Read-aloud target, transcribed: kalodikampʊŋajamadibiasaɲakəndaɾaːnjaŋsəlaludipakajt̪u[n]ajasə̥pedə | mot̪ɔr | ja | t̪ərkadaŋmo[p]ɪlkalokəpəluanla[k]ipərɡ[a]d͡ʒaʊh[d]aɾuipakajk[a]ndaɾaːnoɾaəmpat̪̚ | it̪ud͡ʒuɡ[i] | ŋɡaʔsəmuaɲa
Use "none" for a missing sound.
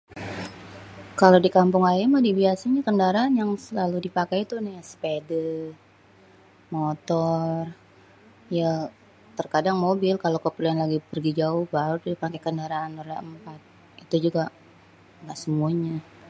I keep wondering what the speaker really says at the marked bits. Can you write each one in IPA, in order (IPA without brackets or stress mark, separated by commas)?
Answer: n, b, ɡ, i, b, ə, a